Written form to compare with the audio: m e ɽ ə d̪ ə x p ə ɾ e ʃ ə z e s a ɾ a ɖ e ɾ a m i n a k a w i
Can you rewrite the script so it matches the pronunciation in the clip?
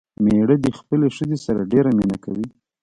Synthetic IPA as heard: m e ɽ ə d̪ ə x p ə l e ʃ ə z e s a ɾ a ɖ e ɾ a m i n a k a w i